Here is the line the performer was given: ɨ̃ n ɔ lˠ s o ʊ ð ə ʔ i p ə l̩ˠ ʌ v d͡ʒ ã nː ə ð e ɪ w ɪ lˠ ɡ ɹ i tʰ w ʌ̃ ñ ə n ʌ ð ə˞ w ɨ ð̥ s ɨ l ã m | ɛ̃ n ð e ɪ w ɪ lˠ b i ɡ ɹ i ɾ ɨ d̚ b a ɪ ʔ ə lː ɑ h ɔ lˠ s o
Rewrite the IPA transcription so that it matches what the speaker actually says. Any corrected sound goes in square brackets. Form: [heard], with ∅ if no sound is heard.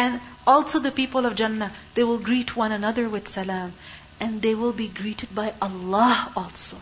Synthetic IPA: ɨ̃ n ɔ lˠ s o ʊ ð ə [p] i p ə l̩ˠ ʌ v d͡ʒ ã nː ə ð e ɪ w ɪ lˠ ɡ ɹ i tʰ w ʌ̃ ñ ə n ʌ ð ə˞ w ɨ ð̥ s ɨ l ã m | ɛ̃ n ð e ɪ w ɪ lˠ b i ɡ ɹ i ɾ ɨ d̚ b a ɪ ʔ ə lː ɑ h ɔ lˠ s o